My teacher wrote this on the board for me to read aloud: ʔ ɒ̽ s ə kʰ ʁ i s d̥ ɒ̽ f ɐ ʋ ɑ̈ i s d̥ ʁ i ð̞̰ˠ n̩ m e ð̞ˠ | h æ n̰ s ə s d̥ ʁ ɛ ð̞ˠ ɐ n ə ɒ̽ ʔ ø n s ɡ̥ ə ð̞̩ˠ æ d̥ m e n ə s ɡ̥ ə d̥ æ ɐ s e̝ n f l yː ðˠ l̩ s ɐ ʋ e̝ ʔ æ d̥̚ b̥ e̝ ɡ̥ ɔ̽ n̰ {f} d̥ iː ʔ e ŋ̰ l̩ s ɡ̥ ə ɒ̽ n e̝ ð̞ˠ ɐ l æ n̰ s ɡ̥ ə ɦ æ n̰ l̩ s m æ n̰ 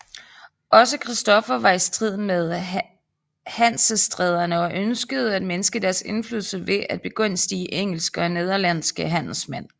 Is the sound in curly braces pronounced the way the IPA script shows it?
no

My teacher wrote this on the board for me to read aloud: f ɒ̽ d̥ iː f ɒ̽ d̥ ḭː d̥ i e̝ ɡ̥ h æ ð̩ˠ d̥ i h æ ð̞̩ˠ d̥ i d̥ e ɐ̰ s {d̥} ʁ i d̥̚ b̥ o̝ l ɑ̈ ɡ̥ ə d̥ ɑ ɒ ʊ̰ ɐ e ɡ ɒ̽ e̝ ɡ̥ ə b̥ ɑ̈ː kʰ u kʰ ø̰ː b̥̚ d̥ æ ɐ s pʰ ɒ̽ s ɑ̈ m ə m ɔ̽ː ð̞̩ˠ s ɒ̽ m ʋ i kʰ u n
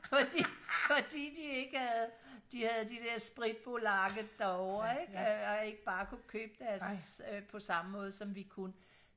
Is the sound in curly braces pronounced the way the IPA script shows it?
no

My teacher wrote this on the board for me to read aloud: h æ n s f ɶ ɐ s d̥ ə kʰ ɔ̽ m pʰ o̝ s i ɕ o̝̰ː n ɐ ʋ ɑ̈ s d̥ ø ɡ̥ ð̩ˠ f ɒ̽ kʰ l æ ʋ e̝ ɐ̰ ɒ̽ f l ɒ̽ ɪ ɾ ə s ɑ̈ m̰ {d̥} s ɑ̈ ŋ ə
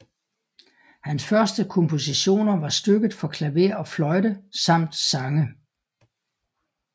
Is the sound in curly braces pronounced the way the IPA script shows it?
yes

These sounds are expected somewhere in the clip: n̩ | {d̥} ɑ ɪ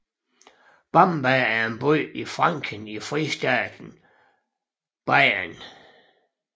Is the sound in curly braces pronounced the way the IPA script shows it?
no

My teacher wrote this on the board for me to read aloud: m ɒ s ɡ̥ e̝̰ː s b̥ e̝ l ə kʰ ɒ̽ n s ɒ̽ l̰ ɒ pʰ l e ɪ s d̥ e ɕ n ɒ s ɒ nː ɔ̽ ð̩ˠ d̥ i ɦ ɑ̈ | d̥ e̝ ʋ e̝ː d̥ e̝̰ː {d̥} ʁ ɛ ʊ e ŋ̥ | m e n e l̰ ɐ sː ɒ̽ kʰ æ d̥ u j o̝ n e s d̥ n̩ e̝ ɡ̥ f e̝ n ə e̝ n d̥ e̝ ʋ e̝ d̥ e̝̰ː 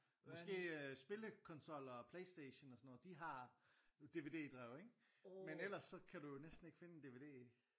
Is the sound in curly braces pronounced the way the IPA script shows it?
yes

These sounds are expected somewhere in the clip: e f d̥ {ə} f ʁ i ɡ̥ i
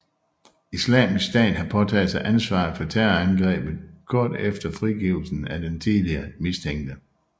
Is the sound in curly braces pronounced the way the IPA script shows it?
no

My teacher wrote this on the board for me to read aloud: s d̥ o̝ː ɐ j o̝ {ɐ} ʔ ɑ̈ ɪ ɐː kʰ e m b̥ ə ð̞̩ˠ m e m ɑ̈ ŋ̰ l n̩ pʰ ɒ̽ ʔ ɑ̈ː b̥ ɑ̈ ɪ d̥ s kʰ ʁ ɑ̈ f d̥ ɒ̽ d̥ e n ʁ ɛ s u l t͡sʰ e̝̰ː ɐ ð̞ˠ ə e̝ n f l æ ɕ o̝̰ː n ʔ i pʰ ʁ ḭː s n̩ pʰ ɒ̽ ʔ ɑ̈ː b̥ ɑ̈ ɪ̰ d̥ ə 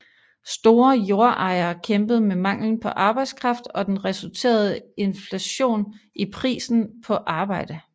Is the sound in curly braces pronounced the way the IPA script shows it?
yes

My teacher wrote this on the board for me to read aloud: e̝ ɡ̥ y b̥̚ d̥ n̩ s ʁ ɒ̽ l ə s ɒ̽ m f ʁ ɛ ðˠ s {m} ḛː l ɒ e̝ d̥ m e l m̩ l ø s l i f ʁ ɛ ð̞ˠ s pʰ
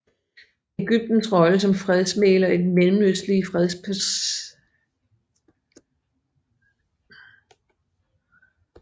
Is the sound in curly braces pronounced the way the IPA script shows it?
yes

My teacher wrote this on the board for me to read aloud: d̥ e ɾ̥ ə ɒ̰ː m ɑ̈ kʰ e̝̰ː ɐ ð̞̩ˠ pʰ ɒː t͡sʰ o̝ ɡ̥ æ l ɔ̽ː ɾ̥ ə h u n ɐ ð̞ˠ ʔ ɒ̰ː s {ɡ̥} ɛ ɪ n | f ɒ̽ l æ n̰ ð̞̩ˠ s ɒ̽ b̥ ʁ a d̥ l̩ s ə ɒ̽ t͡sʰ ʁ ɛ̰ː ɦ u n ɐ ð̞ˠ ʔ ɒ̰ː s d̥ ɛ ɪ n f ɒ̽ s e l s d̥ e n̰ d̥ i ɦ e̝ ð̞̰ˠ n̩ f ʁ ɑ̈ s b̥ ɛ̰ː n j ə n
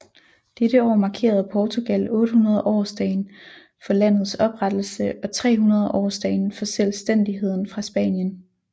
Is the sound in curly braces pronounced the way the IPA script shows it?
no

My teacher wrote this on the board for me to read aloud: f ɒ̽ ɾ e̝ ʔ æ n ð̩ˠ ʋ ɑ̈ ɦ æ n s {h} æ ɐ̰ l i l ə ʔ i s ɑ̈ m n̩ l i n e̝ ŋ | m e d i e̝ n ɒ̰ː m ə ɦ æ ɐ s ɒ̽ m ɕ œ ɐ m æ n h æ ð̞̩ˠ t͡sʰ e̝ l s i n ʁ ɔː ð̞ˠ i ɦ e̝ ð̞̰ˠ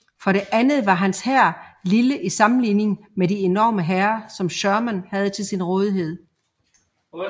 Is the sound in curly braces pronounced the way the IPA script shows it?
yes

